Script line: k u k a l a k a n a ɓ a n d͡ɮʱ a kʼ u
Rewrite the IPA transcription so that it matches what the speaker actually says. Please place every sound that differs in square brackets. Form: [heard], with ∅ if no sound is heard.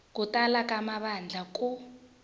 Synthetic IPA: k u [t] a l a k a [m] a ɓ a n d͡ɮʱ a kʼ u